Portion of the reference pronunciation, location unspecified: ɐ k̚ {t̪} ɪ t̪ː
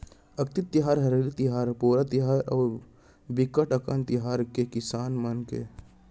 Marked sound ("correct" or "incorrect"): correct